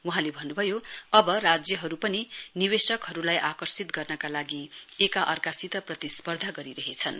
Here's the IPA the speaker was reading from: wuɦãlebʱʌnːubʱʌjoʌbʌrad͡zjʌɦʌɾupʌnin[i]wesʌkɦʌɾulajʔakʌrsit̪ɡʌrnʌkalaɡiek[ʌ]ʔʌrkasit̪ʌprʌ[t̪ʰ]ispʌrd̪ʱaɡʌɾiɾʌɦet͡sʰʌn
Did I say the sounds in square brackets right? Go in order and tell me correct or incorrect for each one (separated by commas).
correct, incorrect, incorrect